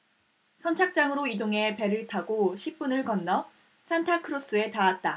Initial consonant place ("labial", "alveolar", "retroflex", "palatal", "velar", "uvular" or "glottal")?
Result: alveolar